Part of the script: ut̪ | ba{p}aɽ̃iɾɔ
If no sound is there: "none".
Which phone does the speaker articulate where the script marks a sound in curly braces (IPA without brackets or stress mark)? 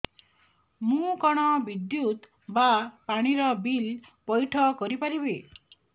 p